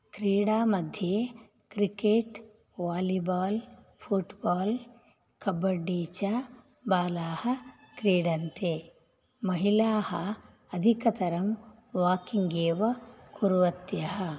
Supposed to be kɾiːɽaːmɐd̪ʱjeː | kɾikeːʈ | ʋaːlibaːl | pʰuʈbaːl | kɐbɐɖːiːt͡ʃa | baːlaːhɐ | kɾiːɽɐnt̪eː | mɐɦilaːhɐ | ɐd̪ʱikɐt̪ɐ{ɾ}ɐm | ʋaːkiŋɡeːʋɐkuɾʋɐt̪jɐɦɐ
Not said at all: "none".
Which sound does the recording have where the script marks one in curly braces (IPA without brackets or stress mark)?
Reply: ɾ